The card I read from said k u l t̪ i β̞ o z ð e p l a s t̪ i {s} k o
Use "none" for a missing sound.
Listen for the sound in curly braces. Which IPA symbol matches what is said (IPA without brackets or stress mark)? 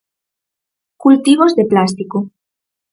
none